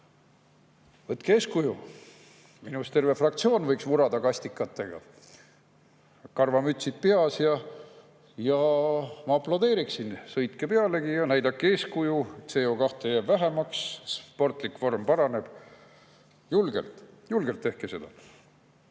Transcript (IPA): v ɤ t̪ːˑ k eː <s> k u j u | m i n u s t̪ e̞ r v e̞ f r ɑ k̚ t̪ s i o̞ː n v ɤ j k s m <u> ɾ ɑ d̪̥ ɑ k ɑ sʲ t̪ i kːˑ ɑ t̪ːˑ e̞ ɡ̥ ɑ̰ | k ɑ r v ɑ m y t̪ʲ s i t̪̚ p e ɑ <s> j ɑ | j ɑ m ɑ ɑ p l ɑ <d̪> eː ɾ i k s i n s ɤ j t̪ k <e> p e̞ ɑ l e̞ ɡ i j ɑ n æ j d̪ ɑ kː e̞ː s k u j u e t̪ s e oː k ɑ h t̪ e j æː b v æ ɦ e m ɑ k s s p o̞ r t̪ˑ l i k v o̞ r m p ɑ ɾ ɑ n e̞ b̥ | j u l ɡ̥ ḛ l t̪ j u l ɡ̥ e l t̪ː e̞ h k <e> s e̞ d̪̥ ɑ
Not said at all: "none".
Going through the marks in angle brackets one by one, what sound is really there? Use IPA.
s, u, s, d̪, e, e

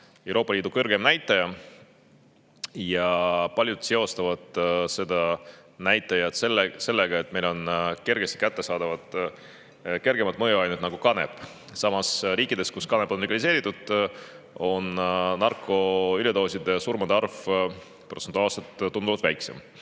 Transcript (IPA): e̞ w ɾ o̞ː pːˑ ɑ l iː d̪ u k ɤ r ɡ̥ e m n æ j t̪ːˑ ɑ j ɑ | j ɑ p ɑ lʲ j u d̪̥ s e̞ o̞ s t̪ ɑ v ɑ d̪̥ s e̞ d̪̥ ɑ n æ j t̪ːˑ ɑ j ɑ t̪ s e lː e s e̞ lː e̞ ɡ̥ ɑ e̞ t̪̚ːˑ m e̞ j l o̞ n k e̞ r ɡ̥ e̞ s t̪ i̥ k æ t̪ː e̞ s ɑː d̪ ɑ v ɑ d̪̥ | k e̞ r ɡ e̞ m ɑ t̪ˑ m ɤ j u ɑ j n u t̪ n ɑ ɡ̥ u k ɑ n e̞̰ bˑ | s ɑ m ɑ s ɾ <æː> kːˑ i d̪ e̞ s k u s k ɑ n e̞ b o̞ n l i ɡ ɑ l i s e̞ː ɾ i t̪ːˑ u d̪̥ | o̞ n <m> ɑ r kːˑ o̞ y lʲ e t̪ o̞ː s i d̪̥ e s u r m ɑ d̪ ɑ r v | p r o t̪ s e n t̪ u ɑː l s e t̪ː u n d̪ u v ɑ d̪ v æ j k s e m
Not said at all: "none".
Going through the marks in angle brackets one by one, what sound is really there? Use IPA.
iː, n

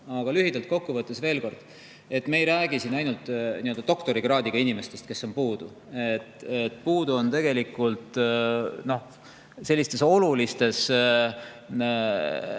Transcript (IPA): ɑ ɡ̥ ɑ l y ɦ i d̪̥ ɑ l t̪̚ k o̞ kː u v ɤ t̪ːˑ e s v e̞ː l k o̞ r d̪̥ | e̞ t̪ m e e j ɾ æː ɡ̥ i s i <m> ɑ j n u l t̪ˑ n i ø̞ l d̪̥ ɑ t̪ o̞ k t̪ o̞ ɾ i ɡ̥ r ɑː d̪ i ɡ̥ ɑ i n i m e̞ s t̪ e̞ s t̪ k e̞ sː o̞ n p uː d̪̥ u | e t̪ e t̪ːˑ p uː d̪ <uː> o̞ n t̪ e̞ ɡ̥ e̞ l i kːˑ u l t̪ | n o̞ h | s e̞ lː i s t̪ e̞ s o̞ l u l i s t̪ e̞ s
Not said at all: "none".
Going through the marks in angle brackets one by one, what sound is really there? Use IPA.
n, u

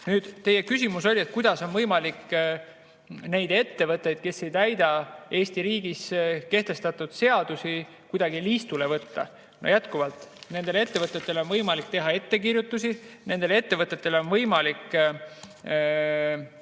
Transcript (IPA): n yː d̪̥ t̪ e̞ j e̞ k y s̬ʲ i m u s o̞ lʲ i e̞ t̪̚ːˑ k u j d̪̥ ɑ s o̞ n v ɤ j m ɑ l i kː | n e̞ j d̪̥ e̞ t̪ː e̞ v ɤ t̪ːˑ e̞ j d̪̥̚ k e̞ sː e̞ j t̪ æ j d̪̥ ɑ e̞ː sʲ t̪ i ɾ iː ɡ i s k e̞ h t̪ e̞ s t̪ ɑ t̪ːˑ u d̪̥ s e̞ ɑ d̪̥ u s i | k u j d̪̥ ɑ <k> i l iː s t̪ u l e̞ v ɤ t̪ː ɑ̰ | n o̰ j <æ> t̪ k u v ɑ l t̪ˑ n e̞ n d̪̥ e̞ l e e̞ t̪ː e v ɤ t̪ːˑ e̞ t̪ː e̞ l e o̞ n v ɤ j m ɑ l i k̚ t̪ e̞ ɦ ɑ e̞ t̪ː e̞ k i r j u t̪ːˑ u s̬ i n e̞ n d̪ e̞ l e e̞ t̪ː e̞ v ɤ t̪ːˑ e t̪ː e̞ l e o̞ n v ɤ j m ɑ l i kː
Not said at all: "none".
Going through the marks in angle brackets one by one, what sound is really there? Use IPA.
ɡ, æ

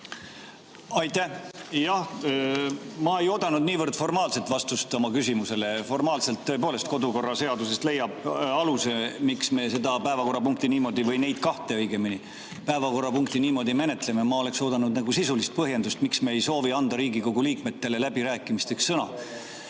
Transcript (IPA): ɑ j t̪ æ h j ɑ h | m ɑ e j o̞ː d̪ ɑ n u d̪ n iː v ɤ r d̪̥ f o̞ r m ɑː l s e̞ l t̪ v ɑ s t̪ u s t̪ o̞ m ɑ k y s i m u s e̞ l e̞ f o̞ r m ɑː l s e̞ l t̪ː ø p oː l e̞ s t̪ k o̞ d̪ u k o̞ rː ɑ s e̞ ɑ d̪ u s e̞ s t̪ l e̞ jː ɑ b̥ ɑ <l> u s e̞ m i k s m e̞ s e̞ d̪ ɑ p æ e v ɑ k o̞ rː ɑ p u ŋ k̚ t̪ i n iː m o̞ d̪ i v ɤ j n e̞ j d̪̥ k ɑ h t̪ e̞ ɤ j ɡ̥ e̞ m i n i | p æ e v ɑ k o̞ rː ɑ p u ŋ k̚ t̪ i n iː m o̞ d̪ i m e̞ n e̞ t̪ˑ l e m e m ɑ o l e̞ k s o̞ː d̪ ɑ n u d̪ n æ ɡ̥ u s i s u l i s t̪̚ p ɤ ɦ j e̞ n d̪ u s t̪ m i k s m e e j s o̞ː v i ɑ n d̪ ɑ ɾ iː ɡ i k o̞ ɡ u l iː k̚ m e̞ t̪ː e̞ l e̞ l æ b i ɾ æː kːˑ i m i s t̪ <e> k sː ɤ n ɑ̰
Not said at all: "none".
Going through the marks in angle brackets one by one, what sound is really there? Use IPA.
l, e

